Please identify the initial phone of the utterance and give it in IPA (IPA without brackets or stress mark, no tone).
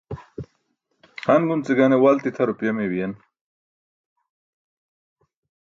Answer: h